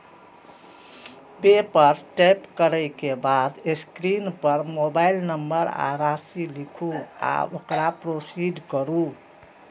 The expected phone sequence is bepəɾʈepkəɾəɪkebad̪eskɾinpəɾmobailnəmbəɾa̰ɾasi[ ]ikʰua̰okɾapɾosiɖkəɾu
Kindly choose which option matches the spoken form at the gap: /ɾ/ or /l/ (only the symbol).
l